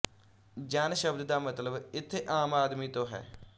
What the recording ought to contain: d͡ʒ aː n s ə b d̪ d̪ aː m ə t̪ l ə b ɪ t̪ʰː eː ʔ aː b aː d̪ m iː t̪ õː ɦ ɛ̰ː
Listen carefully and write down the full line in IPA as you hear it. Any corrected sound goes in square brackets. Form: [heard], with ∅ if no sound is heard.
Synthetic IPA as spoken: d͡ʒ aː n [ʃ] ə b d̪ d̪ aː m ə t̪ l ə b ɪ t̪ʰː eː ʔ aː [m] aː d̪ m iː t̪ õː ɦ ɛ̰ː